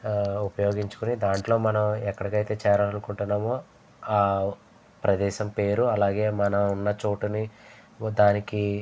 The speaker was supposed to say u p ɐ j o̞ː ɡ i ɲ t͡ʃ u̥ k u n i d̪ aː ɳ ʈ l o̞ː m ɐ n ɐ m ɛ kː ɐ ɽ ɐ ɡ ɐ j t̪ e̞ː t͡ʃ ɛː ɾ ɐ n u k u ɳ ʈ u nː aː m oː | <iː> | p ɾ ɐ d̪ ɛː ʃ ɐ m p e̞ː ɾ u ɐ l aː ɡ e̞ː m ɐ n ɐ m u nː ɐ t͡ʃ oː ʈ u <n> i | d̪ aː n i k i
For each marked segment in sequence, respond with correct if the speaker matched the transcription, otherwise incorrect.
incorrect: aː, correct

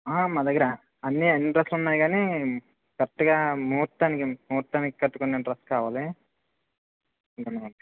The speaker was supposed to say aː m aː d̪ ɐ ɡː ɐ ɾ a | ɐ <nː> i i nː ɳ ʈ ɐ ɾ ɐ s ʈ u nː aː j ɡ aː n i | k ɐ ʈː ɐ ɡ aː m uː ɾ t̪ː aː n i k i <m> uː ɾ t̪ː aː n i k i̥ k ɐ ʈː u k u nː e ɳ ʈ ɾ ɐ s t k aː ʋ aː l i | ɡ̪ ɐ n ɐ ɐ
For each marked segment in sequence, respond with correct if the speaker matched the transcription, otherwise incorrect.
correct, correct

